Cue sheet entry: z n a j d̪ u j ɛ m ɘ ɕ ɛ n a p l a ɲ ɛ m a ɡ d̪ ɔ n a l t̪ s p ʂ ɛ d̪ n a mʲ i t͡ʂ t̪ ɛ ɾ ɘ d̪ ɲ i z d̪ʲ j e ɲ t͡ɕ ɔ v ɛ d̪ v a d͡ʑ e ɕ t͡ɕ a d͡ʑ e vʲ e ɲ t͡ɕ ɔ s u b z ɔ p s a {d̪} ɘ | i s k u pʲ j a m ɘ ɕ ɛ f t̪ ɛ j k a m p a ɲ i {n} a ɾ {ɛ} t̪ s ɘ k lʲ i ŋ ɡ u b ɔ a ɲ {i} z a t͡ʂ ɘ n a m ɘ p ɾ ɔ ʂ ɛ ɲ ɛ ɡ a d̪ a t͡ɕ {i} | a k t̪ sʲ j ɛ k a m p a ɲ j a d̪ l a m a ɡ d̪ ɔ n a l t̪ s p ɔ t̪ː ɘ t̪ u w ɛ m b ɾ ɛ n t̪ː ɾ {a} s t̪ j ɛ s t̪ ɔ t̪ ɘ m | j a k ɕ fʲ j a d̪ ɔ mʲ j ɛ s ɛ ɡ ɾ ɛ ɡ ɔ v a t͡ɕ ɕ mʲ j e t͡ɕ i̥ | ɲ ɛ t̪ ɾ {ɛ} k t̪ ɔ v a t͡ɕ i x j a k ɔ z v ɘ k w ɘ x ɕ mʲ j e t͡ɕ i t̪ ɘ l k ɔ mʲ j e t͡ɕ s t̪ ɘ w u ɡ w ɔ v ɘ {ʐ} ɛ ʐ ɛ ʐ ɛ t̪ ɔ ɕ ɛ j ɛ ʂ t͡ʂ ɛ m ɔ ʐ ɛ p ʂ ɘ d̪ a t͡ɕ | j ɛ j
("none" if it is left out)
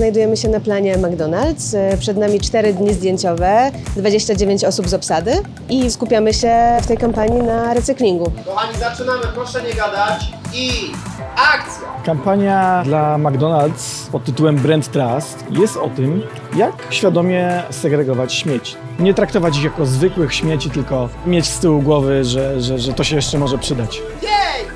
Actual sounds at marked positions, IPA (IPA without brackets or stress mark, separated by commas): d̪, n, ɛ, i, i, a, a, ʐ